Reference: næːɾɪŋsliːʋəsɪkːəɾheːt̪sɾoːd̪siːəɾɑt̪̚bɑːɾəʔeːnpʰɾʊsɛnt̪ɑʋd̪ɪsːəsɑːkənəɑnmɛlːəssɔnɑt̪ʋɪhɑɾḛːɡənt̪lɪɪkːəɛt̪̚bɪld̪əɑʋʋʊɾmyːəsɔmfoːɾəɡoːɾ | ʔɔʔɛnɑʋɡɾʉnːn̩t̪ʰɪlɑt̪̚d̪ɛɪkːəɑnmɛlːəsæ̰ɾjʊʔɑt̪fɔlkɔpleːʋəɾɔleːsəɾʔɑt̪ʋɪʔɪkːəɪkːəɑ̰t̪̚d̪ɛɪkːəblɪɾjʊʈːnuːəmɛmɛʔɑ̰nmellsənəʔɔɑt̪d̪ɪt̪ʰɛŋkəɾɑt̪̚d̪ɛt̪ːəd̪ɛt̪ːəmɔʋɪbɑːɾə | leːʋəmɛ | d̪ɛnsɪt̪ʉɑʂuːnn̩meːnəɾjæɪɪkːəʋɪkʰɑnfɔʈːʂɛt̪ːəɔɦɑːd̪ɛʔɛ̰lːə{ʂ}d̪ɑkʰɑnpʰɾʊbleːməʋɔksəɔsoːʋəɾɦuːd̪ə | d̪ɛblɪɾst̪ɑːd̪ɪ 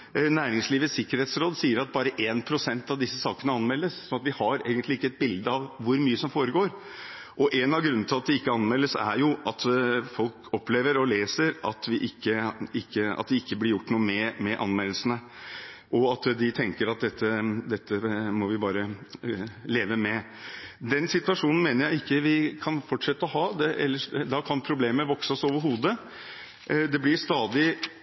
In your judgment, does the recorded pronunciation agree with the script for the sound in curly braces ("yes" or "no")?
yes